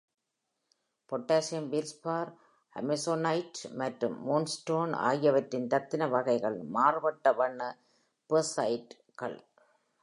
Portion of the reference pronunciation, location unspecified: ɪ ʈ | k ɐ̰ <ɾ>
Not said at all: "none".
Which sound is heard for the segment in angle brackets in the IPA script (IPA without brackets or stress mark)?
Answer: ɭ